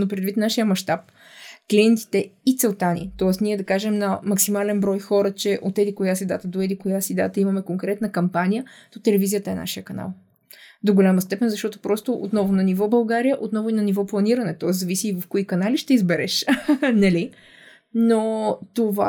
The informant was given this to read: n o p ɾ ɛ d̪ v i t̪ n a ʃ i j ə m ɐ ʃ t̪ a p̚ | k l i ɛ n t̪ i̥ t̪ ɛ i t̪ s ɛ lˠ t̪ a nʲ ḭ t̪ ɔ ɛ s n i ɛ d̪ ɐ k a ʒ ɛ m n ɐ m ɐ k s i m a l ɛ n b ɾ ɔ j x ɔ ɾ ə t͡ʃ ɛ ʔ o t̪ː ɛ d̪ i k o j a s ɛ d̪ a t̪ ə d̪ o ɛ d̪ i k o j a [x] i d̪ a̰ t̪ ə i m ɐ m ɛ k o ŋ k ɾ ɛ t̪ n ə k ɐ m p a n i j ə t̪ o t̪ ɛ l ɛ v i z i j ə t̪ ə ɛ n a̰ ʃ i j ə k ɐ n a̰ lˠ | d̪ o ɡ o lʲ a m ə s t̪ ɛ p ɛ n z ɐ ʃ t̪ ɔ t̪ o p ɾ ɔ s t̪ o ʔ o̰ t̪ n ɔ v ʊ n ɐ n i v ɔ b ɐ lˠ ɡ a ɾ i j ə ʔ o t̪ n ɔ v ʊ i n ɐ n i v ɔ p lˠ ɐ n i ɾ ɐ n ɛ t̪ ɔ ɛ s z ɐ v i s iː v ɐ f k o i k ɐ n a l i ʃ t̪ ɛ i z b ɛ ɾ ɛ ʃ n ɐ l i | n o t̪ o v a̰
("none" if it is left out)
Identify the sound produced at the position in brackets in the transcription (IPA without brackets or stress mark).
s